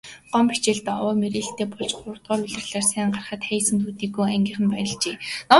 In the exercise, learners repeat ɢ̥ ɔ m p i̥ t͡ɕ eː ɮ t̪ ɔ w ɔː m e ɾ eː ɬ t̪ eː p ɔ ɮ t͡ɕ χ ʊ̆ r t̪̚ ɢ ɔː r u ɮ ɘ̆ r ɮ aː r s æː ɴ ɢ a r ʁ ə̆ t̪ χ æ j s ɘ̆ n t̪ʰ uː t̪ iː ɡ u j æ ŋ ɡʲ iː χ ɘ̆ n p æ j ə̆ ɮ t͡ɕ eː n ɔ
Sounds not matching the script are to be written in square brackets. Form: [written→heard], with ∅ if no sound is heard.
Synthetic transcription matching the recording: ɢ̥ ɔ m p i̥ t͡ɕ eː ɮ t̪ ɔ w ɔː m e ɾ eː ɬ t̪ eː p ɔ ɮ t͡ɕ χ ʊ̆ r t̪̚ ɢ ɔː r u ɮ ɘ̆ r ɮ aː r s æː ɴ ɢ a r [ʁ→χ] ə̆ t̪ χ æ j s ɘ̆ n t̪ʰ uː t̪ iː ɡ u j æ ŋ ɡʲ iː χ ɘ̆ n p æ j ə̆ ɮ t͡ɕ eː n ɔ